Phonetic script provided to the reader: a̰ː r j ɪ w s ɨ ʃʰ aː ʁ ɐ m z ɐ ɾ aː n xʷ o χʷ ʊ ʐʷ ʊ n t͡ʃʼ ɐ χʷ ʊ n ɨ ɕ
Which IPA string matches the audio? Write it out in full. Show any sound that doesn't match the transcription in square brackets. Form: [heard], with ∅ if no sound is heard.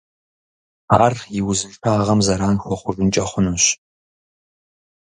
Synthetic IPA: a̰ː r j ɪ w [z] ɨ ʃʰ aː ʁ ɐ m z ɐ ɾ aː n xʷ [ɔ] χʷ ʊ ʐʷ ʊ n t͡ʃʼ ɐ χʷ ʊ n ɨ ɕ